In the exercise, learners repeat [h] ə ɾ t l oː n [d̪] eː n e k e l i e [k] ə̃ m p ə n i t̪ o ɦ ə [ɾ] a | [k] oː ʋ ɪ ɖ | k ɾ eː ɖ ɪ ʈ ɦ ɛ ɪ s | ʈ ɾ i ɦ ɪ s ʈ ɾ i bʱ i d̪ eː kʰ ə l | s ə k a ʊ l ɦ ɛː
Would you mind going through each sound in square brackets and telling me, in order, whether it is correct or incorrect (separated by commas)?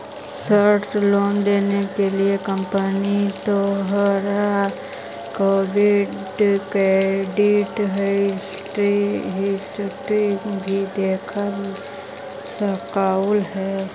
incorrect, correct, correct, correct, correct